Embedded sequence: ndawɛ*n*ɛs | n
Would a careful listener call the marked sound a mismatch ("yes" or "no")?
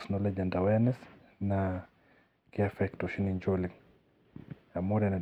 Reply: no